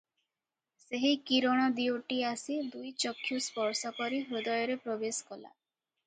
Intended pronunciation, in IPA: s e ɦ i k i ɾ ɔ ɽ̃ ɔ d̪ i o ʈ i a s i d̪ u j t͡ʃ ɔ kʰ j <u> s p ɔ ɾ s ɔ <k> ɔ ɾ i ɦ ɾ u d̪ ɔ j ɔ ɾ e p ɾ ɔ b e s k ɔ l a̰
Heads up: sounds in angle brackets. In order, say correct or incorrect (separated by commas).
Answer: correct, correct